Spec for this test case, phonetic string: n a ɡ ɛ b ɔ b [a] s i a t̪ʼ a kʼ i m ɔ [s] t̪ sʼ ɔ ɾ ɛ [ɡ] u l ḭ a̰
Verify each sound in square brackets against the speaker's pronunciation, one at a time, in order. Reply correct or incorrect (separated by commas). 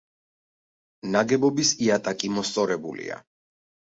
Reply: incorrect, correct, incorrect